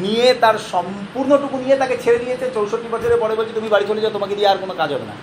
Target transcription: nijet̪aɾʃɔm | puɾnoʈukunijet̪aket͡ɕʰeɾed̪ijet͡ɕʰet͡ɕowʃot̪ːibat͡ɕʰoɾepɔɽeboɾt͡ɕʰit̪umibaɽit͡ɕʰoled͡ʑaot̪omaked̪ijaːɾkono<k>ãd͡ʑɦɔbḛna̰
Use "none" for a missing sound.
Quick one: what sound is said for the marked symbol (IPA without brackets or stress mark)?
k